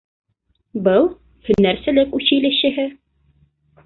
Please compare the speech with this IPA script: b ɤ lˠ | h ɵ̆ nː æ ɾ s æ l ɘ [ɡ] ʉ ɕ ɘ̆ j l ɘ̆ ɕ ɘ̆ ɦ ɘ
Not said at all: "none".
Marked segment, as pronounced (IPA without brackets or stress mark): k